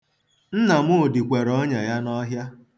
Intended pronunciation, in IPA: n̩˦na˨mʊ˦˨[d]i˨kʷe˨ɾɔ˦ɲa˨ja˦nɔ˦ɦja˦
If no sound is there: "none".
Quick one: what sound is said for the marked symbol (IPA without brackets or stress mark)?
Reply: d